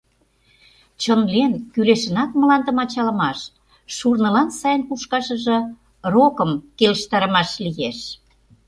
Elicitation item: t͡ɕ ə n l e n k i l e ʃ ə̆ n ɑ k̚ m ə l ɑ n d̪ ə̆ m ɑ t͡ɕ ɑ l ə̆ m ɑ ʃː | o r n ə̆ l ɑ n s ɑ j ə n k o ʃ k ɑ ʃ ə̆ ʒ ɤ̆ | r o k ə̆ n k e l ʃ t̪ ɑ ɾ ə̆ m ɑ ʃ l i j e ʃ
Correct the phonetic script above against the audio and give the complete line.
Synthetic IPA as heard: t͡ɕ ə n l e n k y l e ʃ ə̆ n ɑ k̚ m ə l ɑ n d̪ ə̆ m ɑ t͡ɕ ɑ l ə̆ m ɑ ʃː | u r n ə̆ l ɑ n s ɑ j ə n k u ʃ k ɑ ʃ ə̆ ʒ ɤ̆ | r o k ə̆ m k e l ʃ t̪ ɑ ɾ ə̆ m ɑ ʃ l i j e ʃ